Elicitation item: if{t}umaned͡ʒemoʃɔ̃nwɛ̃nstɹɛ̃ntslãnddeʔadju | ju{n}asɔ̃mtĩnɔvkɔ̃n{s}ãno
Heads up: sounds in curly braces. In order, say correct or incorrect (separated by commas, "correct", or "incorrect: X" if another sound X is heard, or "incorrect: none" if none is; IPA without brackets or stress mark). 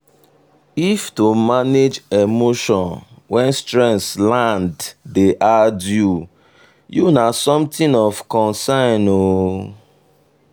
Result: correct, correct, correct